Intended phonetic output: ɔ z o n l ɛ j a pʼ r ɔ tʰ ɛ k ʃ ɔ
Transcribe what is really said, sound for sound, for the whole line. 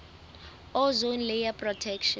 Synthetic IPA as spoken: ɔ z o n l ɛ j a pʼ r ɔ tʰ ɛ k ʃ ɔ